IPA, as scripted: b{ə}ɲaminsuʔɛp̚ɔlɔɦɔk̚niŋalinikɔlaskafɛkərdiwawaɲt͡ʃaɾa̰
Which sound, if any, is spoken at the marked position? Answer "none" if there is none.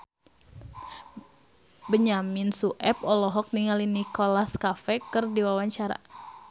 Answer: ə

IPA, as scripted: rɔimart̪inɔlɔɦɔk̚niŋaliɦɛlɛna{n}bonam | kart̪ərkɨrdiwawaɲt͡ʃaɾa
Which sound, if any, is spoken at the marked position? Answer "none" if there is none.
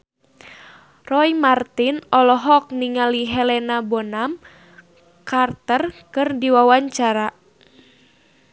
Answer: none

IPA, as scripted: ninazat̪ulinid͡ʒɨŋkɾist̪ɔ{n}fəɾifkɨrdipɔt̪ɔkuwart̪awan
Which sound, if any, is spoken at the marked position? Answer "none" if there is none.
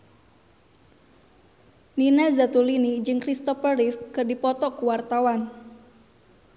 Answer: none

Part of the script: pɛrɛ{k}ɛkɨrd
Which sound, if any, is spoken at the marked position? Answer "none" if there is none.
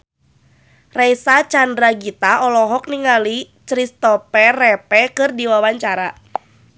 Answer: p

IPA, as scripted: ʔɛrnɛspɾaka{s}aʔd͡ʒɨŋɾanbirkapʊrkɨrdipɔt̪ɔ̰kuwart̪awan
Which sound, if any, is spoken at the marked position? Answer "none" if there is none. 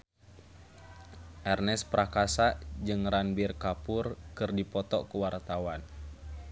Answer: s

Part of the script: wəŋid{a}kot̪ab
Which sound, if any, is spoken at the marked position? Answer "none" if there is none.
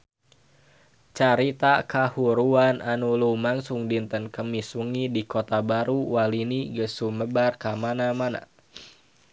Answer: i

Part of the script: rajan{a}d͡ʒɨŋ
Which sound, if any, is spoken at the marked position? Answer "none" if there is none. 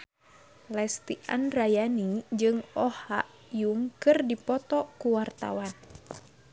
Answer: i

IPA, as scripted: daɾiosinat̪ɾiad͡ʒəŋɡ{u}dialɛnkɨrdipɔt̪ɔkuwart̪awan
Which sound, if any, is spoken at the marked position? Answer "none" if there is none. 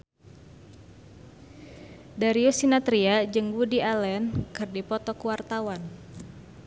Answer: u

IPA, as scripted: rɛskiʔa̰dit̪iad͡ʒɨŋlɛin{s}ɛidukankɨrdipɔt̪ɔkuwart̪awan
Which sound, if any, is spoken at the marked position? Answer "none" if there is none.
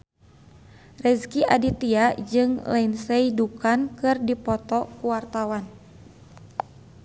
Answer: s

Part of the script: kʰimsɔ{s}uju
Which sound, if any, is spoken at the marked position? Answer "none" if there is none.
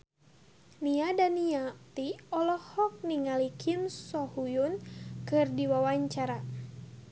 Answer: h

